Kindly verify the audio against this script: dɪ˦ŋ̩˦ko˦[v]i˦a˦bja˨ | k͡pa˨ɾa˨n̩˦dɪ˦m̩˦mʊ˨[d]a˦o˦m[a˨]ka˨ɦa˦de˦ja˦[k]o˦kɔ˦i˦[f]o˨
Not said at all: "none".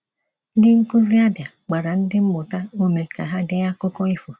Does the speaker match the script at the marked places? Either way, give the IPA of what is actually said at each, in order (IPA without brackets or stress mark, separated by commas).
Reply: v, t, e˨, k, f